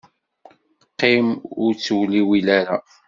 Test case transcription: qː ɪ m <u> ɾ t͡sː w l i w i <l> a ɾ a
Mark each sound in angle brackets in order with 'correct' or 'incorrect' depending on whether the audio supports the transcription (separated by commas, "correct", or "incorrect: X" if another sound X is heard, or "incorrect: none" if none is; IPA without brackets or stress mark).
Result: incorrect: ʊ, correct